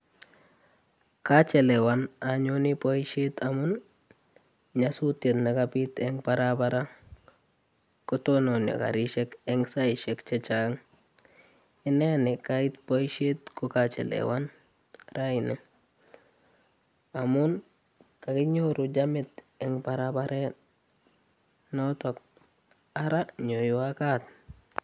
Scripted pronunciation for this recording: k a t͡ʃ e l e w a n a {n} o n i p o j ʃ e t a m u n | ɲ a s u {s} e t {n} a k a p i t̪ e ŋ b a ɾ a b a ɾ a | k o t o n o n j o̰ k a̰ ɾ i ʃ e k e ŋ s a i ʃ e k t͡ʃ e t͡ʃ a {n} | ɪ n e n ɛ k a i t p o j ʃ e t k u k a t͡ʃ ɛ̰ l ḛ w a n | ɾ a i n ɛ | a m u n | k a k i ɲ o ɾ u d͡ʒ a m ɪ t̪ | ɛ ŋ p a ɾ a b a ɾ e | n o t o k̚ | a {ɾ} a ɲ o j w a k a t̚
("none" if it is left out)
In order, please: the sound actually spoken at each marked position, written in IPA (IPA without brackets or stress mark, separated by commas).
ɲ, t, n, ŋ, ɾ